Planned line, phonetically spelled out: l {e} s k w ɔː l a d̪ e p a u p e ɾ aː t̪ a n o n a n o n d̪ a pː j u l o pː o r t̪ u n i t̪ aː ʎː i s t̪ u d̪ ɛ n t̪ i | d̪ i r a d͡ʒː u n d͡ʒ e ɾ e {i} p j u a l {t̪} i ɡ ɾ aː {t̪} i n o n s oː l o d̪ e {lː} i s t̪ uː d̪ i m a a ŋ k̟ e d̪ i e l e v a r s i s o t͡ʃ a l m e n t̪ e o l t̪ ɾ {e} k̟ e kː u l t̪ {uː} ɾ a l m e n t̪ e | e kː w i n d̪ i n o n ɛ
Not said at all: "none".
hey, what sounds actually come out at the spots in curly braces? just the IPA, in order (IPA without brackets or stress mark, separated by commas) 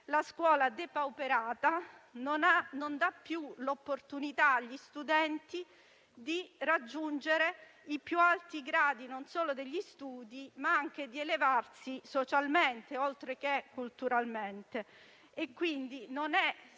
a, i, t̪, d̪, ʎː, e, u